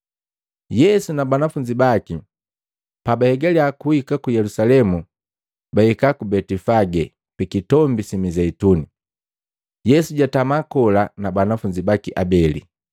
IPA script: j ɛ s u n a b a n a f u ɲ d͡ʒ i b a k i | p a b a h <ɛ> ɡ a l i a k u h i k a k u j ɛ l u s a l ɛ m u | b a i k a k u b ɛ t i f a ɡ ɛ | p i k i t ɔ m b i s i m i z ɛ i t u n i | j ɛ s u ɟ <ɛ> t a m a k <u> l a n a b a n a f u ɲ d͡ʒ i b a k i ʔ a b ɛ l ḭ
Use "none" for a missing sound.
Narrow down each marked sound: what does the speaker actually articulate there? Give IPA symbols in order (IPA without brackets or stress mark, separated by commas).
ɛ, a, ɔ